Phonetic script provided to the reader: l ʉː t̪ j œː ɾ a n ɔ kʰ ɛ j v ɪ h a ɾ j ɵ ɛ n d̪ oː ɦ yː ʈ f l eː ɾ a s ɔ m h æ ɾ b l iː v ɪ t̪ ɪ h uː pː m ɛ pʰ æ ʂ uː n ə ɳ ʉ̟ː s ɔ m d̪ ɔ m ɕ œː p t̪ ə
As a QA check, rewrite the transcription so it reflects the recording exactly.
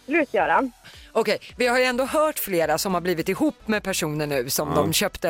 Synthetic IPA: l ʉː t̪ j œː ɾ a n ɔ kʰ ɛ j v ɪ h a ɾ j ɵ ɛ n d̪ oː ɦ œː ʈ f l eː ɾ a s ɔ m h a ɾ b l iː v ɪ t̪ ɪ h uː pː m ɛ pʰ æ ʂ uː n ə ɳ ʉ̟ː s ɔ m d̪ ɔ m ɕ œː p t̪ ə